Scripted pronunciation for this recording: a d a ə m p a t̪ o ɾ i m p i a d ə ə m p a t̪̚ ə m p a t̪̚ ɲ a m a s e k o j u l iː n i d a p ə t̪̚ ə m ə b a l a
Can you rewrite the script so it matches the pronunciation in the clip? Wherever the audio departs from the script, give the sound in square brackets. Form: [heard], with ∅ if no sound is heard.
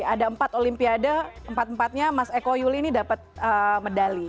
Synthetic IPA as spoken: a d a ə m p a t̪ o [l] i m p i a d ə ə m p a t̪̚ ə m p a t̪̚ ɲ a m a s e k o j u l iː n i d a p ə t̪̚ ə m ə [d] a l [i]

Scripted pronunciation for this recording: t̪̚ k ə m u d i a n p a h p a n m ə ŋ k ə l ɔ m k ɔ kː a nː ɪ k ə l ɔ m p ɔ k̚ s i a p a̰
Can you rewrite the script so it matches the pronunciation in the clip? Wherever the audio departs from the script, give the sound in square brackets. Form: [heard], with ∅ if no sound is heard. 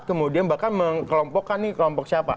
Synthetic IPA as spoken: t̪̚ k ə m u d i a n [b] a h [k] a n m ə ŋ k ə l ɔ m [p] ɔ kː a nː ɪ k ə l ɔ m p ɔ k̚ s i a p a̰

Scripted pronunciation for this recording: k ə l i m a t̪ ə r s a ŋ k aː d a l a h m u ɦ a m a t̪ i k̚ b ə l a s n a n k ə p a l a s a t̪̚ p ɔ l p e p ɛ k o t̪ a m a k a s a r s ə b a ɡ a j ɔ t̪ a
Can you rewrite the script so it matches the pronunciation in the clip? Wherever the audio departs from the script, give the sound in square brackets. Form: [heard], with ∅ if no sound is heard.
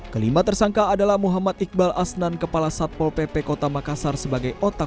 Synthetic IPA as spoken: k ə l i m a t̪ ə r s a ŋ k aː d a l a h m u ɦ a m a t̪ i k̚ b [a] l a s n a n k ə p a l a s a t̪̚ p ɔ l p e p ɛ k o t̪ a m a k a s a r s ə b a ɡ a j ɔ t̪ a

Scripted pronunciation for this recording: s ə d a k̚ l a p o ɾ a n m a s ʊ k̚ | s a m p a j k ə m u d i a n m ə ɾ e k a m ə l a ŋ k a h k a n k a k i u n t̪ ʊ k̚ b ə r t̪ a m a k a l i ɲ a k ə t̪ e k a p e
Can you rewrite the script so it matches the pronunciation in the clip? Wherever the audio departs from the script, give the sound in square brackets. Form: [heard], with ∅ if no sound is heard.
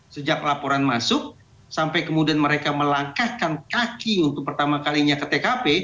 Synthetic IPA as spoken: s ə [d͡ʒ] a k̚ l a p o ɾ a n m a s ʊ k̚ | s a m p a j k ə m u d i a n m ə ɾ e k a m ə l a ŋ k a h k a n k a k i u n t̪ ʊ k̚ [p] ə r t̪ a m a k a l i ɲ a k ə t̪ e k a p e

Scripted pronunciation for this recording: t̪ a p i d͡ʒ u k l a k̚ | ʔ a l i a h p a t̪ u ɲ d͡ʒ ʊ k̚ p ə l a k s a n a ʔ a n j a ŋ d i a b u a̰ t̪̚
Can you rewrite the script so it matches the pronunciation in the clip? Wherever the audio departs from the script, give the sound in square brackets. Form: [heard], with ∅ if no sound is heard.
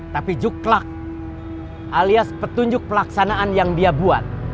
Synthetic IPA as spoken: t̪ a p i d͡ʒ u k l a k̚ | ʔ a l i a [s] p [ə] t̪ u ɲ d͡ʒ ʊ k̚ p ə l a k s a n a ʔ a n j a ŋ d i a b u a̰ t̪̚

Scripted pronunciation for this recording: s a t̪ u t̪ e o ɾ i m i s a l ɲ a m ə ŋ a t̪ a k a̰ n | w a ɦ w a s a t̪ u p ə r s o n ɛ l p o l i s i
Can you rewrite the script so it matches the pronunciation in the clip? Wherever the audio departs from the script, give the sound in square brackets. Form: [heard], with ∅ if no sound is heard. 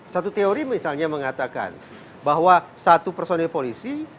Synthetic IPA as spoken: s a t̪ u t̪ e o ɾ i m i s a l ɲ a m ə ŋ a t̪ a k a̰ n | [b] a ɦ w a s a t̪ u p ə r s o n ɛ l p o l i s i

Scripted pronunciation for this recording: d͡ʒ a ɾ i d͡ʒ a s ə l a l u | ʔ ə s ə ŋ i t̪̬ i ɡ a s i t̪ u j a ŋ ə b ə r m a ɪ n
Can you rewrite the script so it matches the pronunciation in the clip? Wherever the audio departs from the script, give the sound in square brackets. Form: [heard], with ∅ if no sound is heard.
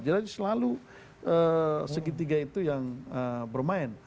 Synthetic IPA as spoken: d͡ʒ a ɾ [a] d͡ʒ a s ə l a l u | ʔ ə s ə [ɡ] i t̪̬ i ɡ a [∅] i t̪ u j a ŋ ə b ə r m a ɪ n

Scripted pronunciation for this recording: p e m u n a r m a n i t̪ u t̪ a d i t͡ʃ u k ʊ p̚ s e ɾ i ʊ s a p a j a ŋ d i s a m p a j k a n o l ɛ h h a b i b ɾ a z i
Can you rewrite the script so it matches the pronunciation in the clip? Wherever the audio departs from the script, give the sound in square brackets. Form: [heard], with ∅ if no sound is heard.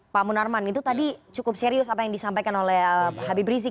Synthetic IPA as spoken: p [a] m u n a r m a n i t̪ u t̪ a d i t͡ʃ u k ʊ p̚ s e ɾ i ʊ s a p a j a ŋ d i s a m p a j k a n o l ɛ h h a b i b ɾ [i] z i

